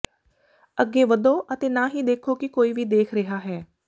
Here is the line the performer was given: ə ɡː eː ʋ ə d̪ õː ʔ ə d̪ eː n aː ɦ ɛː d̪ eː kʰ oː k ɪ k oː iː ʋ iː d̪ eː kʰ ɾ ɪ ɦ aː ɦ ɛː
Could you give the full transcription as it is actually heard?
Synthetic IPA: ə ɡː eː ʋ ə d̪ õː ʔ ə t̪ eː n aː ɦ iː d̪ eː kʰ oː k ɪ k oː iː ʋ iː d̪ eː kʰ ɾ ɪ ɦ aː ɦ ɛː

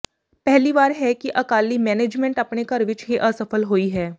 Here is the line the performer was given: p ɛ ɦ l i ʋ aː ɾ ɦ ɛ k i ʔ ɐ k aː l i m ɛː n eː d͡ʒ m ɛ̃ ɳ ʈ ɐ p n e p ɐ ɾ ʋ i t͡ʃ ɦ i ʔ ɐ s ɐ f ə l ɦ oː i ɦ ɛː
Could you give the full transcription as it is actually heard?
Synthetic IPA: p ɛ ɦ l i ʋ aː ɾ ɦ ɛ k i ʔ ɐ k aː l i m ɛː n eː d͡ʒ m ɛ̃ ɳ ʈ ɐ p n e k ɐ ɾ ʋ ɪ t͡ʃ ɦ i ʔ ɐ s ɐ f ə l ɦ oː i ɦ ɛː

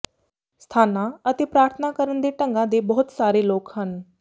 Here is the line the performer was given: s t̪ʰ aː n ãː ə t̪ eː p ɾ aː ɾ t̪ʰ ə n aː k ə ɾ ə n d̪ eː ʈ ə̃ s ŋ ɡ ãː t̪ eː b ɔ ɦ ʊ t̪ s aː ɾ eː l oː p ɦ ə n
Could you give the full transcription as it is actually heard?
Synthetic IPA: s t̪ʰ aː n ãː ə t̪ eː p ɾ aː ɾ t̪ʰ ə n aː k ə ɾ ə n d̪ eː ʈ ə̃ ŋ ɡ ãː d̪ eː b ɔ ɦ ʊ t̪ s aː ɾ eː l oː k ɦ ə n

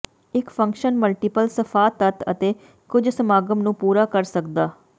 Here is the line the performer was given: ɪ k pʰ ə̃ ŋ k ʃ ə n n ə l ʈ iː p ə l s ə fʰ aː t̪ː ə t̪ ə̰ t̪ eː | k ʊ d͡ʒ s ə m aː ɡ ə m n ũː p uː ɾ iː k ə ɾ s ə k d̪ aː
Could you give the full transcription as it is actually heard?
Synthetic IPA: ɪ k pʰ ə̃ ŋ k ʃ ə n m ə l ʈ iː p ə l s ə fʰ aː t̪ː ə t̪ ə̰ t̪ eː | k ʊ d͡ʒ s ə m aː ɡ ə m n ũː p uː ɾ aː k ə ɾ s ə k d̪ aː

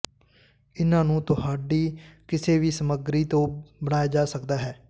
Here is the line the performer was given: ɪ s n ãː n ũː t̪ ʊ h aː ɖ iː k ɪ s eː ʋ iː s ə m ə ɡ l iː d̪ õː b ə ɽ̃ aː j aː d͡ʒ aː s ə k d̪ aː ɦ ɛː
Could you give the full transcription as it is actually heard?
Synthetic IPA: ɪ n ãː n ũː t̪ ʊ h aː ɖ iː k ɪ s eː ʋ iː s ə m ə ɡ ɾ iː t̪ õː b ə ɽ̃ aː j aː d͡ʒ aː s ə k d̪ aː ɦ ɛː

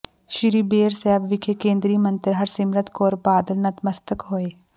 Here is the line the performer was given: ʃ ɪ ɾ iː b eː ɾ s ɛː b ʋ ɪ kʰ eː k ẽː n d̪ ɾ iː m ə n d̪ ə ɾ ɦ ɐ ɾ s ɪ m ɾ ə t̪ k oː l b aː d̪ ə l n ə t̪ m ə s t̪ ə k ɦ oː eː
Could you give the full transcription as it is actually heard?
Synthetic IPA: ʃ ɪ ɾ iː b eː ɾ s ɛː b ʋ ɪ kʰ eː k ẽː n d̪ ɾ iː m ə n t̪ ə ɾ ɦ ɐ ɾ s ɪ m ɾ ə t̪ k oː ɾ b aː d̪ ə l n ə t̪ m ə s t̪ ə k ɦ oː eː

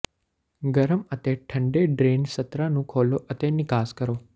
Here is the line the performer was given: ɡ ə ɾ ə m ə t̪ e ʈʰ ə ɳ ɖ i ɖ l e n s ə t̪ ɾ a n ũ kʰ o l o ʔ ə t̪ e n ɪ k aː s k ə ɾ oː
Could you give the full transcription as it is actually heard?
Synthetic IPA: ɡ ə ɾ ə m ə t̪ e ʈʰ ə ɳ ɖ e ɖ ɾ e n s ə t̪ ɾ a n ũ kʰ o l o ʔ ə t̪ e n ɪ k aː s k ə ɾ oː

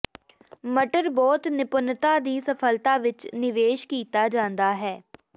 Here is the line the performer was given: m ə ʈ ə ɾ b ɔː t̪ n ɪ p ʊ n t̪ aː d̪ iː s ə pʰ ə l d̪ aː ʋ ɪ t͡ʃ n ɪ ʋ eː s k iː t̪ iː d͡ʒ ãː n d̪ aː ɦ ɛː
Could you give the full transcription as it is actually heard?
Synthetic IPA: m ə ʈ ə ɾ b ɔː t̪ n ɪ p ʊ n t̪ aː d̪ iː s ə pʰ ə l t̪ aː ʋ ɪ t͡ʃ n ɪ ʋ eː ʃ k iː t̪ aː d͡ʒ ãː n d̪ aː ɦ ɛː

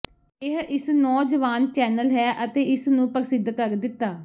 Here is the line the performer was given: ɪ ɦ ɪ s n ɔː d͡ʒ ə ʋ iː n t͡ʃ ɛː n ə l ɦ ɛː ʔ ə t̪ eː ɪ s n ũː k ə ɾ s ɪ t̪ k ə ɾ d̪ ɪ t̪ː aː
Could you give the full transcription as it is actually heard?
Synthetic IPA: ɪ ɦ ɪ s n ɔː d͡ʒ ə ʋ aː n t͡ʃ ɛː n ə l ɦ ɛː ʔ ə t̪ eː ɪ s n ũː p ə ɾ s ɪ d̪ k ə ɾ d̪ ɪ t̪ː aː

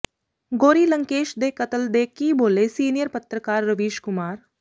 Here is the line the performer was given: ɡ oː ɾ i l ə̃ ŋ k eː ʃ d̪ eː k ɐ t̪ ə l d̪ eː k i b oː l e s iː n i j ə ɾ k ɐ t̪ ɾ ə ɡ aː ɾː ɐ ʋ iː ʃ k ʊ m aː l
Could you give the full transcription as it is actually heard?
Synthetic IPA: ɡ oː ɾ i l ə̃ ŋ k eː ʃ d̪ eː k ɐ t̪ ə l d̪ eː k i b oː l e s iː n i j ə ɾ p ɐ t̪ ɾ ə k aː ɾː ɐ ʋ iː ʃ k ʊ m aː ɾ

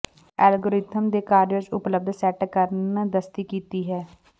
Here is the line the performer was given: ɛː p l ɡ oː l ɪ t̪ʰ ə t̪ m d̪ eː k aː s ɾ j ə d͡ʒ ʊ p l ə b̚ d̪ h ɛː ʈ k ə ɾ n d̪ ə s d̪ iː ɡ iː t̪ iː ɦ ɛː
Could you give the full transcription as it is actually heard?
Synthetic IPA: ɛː l ɡ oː ɾ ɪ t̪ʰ ə m d̪ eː k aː ɾ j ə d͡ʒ ʊ p l ə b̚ d̪ s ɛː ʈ k ə ɾ n d̪ ə s t̪ iː k iː t̪ iː ɦ ɛː

